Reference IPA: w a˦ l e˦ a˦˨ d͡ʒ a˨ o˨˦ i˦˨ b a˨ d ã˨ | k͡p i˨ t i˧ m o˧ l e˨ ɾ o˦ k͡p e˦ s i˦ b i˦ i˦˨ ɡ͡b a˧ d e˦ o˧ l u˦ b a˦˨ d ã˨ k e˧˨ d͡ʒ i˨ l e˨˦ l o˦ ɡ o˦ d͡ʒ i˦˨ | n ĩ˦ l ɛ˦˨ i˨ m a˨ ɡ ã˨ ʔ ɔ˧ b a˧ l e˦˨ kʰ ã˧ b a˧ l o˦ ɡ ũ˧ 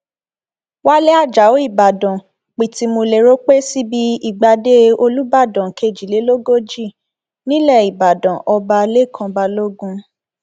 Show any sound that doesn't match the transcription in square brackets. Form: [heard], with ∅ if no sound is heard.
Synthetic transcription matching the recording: w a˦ l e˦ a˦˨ d͡ʒ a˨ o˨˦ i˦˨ b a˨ d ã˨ | k͡p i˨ t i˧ m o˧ l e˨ ɾ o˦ k͡p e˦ s i˦ b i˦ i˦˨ ɡ͡b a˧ d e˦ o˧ l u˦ b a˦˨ d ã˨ k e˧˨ d͡ʒ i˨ l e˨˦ l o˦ ɡ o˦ d͡ʒ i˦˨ | n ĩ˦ l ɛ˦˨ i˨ [b] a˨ [d] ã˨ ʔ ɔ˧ b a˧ l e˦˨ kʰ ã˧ b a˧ l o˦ ɡ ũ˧